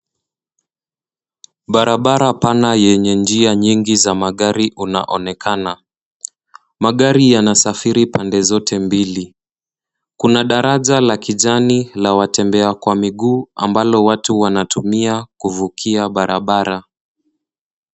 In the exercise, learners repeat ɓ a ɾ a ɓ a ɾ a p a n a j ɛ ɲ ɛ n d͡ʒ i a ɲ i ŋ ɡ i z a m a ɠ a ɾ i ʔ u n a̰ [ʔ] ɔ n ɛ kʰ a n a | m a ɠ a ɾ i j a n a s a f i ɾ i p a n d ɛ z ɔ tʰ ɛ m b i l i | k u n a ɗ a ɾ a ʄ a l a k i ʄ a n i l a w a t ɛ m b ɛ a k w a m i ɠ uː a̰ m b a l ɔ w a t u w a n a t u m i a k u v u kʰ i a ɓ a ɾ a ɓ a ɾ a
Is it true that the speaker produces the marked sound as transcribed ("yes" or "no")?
yes